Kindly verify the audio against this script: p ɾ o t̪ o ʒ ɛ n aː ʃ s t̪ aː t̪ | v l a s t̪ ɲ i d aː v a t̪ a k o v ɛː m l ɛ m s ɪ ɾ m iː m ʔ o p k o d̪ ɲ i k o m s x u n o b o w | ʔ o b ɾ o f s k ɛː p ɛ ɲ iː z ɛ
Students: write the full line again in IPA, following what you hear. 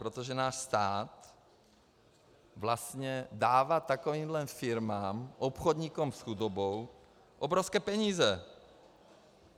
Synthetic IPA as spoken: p ɾ o t̪ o ʒ ɛ n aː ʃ s t̪ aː t̪ | v l a s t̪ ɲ ɛ d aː v a t̪ a k o v iː m l ɛ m f ɪ ɾ m aː m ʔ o p x o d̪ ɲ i k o m s x u d o b o w | ʔ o b ɾ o f s k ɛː p ɛ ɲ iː z ɛ